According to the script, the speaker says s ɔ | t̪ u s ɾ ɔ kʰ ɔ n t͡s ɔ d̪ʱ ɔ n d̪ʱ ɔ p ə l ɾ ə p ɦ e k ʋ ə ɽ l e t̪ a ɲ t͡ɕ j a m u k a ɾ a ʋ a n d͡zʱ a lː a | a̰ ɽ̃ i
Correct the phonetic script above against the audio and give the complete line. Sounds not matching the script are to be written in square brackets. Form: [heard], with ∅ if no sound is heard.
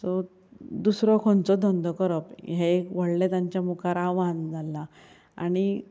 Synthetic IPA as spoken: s ɔ | [d̪] u s ɾ ɔ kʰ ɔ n t͡s ɔ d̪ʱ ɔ n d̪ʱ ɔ [k] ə [∅] ɾ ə p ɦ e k ʋ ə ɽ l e t̪ a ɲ t͡ɕ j a m u k a ɾ a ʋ a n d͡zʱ a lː a | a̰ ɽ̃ i